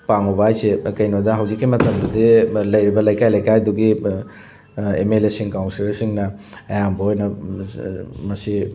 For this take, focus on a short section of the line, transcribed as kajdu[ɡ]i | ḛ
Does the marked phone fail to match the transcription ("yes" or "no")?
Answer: no